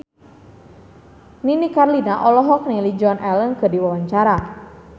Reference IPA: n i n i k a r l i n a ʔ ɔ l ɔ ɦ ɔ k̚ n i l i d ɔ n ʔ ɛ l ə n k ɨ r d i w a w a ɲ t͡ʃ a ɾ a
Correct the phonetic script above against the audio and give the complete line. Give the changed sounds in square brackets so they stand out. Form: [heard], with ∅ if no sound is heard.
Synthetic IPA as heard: n i n i k a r l i n a ʔ ɔ l ɔ ɦ ɔ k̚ n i l i [d͡ʒ] ɔ n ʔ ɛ l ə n k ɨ r d i w a w a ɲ t͡ʃ a ɾ a